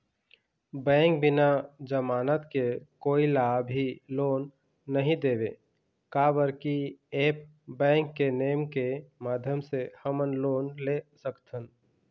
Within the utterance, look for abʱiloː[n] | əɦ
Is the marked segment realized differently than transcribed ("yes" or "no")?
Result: yes